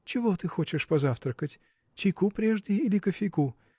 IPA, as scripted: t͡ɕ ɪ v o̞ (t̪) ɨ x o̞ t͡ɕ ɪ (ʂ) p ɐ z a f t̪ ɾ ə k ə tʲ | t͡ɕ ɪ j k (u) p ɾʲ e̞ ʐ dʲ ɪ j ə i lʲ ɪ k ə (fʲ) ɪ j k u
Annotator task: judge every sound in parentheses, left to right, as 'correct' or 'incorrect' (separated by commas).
correct, correct, correct, correct